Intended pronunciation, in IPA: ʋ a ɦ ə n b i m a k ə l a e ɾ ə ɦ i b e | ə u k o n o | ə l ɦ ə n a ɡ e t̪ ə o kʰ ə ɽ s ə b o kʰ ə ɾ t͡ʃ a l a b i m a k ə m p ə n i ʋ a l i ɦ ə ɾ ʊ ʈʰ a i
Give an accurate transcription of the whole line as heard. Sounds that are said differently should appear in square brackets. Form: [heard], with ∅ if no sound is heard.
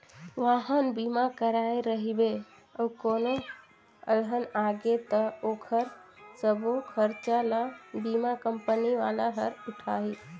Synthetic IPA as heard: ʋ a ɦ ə n b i m a k ə [ɾ] a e ɾ ə ɦ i b e | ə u k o n o | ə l ɦ ə n a ɡ e t̪ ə o kʰ ə [ɾ] s ə b o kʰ ə ɾ t͡ʃ a l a b i m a k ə m p ə n i ʋ a l [a] ɦ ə ɾ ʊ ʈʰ a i